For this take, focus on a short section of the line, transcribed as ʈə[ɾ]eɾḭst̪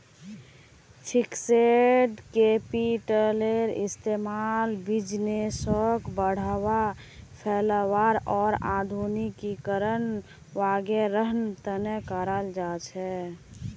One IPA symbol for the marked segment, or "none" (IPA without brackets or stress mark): l